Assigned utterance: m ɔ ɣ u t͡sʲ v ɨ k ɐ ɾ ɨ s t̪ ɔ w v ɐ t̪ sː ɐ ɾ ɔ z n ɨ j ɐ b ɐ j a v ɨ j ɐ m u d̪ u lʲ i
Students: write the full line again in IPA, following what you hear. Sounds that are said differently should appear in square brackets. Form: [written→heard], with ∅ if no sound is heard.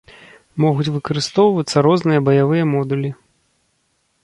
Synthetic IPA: m ɔ ɣ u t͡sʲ v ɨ k ɐ ɾ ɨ s t̪ ɔ w v ɐ t̪ sː ɐ ɾ ɔ z n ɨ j ɐ b ɐ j a v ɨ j ɐ m [u→ɔ] d̪ u lʲ i